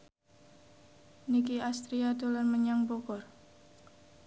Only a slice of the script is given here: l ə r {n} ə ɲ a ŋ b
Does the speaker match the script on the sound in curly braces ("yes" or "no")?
no